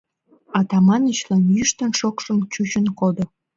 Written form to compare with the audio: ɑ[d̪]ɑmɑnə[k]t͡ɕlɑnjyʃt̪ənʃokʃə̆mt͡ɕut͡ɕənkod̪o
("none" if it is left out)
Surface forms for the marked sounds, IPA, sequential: t̪, none

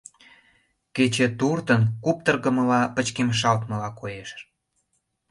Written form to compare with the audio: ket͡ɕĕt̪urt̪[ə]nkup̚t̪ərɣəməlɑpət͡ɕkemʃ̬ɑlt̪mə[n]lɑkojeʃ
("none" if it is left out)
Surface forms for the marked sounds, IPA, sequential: ə, none

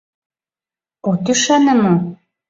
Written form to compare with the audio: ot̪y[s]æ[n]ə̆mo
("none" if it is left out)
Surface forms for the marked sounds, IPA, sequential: ʃ, n

